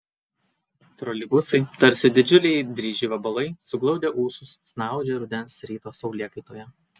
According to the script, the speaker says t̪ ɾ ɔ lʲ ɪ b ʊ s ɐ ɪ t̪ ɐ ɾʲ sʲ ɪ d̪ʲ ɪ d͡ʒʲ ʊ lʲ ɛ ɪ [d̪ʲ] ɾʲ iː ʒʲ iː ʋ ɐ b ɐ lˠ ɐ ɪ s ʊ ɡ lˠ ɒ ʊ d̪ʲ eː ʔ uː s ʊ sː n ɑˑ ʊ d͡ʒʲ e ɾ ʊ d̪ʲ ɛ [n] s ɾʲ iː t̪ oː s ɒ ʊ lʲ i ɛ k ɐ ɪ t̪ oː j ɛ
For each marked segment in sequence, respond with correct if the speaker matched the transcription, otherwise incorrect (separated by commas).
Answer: correct, correct